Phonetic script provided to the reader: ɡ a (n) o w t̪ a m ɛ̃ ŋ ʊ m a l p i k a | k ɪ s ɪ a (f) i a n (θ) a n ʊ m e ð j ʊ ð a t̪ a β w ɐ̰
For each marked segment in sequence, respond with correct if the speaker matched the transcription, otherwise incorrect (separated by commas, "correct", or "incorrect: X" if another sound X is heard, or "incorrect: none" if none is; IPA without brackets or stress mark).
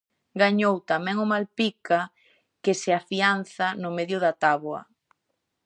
incorrect: ɲ, correct, correct